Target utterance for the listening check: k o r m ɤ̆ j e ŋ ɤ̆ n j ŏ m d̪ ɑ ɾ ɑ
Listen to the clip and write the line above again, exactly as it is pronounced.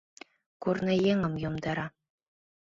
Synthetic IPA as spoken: k u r n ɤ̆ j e ŋ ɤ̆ m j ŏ m d̪ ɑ ɾ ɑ